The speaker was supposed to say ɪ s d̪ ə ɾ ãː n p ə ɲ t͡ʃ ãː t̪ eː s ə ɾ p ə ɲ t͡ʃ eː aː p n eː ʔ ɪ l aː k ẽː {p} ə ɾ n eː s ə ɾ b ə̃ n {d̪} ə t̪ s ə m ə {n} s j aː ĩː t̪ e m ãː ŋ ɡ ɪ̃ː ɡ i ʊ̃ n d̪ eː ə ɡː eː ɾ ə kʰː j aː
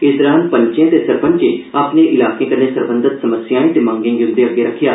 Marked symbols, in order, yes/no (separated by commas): no, yes, no